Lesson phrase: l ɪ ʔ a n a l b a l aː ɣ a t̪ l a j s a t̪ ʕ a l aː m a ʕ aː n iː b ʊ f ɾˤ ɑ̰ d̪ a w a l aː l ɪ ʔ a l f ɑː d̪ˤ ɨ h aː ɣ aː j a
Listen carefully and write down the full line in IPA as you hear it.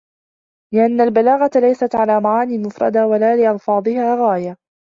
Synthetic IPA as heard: l ɪ ʔ a nː a l b a l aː ɣ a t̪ l a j s a t̪ ʕ a l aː m a ʕ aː n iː m ʊ f ɾˤ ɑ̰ d̪ a w a l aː l ɪ ʔ ɑ l f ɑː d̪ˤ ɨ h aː ɣ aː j a